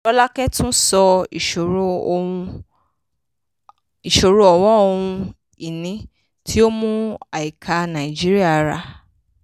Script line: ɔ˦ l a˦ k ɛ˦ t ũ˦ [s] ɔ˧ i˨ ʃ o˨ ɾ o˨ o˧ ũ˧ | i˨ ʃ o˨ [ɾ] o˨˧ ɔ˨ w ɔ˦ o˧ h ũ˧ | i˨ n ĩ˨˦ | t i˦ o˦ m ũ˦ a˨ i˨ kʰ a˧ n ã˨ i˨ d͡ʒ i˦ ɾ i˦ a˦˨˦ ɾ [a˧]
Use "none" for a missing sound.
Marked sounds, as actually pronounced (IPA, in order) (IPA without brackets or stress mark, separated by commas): s, ɾ, a˧